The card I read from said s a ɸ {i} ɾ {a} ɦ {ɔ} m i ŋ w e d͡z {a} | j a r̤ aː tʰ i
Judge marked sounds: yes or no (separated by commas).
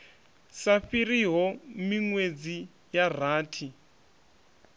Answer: yes, no, yes, no